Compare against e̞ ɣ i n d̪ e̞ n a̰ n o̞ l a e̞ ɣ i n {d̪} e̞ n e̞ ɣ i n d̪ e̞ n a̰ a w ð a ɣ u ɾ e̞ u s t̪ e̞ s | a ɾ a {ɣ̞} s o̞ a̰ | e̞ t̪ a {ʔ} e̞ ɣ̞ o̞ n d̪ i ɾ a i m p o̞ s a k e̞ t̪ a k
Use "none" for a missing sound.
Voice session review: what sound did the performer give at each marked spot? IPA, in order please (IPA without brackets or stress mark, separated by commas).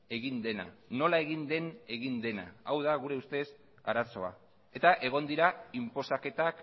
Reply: d̪, none, ʔ